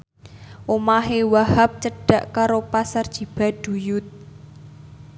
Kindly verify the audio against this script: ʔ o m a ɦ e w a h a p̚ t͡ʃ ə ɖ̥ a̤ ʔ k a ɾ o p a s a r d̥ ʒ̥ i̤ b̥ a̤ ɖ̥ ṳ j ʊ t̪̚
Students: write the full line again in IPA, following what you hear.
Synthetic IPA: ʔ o m a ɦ e w a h a p̚ t͡ʃ ə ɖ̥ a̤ ʔ k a ɾ o p a s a r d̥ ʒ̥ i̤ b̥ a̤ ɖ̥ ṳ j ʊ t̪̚